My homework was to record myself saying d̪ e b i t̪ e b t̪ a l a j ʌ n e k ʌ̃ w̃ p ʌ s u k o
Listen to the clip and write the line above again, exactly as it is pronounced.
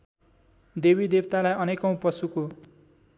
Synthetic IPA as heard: d̪ e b i d̪ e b t̪ a l a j ʌ n e k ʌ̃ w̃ p ʌ s u k o